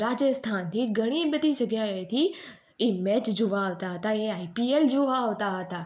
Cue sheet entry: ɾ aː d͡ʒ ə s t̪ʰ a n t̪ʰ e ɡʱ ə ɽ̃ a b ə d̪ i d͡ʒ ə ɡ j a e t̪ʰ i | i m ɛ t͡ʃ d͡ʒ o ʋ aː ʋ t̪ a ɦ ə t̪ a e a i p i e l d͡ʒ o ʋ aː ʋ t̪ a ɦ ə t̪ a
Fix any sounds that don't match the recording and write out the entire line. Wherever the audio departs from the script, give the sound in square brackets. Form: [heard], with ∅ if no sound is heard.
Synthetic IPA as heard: ɾ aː d͡ʒ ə s t̪ʰ a n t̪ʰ [i] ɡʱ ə ɽ̃ [i] b ə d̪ i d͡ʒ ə ɡ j a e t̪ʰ i | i m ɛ t͡ʃ d͡ʒ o ʋ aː ʋ t̪ a ɦ ə t̪ a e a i p i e l d͡ʒ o ʋ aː ʋ t̪ a ɦ ə t̪ a